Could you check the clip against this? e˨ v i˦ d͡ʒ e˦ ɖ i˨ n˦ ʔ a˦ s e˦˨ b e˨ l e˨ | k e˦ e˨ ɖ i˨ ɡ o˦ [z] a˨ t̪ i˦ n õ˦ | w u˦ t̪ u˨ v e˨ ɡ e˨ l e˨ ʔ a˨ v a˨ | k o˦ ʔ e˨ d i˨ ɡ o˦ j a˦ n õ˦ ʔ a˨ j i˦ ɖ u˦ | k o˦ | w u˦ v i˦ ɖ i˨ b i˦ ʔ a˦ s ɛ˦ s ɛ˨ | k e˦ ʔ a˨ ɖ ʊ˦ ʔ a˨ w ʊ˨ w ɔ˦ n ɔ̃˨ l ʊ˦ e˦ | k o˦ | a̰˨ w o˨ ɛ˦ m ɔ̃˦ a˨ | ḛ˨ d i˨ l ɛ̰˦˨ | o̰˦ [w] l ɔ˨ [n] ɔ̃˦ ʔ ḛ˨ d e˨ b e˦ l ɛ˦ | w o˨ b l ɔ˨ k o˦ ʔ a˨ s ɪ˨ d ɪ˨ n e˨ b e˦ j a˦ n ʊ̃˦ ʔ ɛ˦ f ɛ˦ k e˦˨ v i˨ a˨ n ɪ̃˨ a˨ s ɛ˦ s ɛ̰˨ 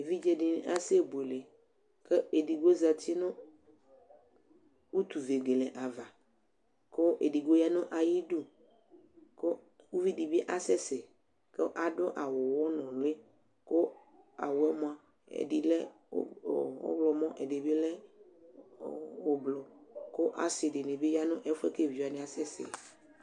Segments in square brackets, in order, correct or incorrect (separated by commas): correct, incorrect, incorrect